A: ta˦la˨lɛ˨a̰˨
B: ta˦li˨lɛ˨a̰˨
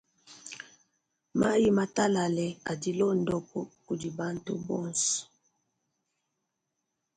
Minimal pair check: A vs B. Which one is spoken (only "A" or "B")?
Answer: A